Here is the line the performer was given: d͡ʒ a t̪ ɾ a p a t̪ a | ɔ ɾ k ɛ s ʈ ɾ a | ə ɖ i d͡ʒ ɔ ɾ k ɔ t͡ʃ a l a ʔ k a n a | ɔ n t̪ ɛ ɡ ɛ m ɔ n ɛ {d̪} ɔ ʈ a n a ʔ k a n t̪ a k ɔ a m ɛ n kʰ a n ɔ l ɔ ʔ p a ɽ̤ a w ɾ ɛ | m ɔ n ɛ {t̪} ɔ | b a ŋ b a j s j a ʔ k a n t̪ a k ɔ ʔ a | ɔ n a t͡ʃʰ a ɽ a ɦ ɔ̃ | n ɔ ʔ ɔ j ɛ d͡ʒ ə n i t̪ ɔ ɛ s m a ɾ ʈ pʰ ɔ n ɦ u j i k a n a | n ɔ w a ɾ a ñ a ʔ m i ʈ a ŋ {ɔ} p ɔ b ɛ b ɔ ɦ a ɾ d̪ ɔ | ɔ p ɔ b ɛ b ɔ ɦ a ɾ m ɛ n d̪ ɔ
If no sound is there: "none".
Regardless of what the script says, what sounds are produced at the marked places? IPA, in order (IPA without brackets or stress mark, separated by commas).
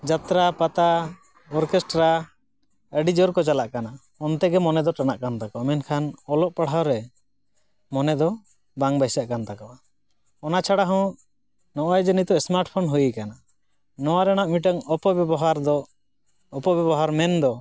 d̪, d̪, ɔ